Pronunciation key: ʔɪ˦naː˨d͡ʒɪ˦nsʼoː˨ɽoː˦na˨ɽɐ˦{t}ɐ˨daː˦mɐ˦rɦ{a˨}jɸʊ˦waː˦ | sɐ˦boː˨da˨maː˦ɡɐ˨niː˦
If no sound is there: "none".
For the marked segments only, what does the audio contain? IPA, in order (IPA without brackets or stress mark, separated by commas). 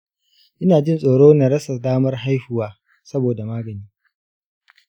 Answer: s, a˦